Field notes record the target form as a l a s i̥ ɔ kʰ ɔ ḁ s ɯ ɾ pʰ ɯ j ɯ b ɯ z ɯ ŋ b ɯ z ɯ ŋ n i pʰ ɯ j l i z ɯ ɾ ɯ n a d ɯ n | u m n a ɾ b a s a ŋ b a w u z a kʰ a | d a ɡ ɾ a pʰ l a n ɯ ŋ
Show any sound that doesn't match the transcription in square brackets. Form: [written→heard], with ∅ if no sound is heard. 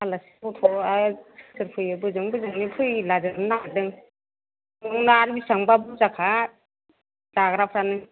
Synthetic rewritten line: a l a s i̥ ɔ [kʰ→tʰ] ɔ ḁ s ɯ ɾ pʰ ɯ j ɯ b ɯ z ɯ ŋ b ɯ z ɯ ŋ n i pʰ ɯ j l [i→a] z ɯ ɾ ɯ n a d ɯ [n→ŋ] | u [m→ŋ] n a ɾ b [a→i] s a ŋ b a [w→b] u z a kʰ a | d a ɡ ɾ a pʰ [l→ɾ] a n ɯ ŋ